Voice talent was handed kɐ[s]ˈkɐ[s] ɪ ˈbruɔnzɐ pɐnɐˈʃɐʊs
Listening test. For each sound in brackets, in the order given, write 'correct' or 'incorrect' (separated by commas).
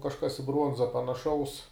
incorrect, correct